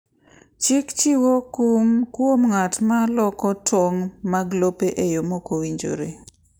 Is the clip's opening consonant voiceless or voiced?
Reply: voiceless